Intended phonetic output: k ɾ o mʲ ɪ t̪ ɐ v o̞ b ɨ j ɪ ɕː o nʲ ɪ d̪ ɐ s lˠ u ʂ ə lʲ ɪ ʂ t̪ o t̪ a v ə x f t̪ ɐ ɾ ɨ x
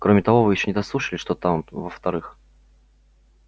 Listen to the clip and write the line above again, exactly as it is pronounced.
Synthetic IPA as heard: k ɾ o mʲ ɪ t̪ ɐ v o̞ v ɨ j ɪ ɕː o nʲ ɪ d̪ ɐ s lˠ u ʂ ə lʲ ɪ ʂ t̪ o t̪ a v ə f t̪ ɐ ɾ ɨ x